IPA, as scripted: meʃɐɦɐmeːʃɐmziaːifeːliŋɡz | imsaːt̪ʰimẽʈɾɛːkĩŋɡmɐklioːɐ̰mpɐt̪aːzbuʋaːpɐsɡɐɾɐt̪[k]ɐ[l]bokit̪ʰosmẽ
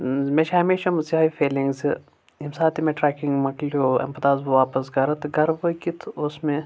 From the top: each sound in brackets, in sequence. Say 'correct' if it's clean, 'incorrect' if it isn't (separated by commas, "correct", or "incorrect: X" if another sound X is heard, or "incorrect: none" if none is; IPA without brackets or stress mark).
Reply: incorrect: ɡ, incorrect: ɾ